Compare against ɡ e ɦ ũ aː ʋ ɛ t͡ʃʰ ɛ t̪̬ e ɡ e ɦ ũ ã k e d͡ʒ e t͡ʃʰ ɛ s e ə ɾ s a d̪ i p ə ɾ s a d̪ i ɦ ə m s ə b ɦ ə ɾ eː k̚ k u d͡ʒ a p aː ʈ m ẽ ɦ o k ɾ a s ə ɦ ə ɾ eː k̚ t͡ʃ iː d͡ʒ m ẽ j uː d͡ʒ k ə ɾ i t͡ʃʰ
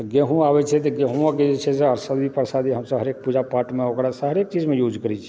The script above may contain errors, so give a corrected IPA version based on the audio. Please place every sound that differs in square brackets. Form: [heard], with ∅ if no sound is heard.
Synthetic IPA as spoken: ɡ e ɦ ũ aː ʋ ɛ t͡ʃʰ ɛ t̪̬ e ɡ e ɦ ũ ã k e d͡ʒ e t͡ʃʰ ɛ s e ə ɾ s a d̪ i p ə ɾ s a d̪ i ɦ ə m s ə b ɦ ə ɾ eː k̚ [p] u d͡ʒ a p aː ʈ m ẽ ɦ o k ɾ a s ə ɦ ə ɾ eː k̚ t͡ʃ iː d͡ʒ m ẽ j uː d͡ʒ k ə ɾ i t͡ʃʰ